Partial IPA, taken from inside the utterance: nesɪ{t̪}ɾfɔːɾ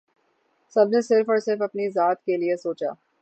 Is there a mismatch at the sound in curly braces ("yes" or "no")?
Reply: yes